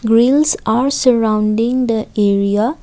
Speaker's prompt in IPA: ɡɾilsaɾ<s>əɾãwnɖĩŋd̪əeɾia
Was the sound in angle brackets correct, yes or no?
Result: yes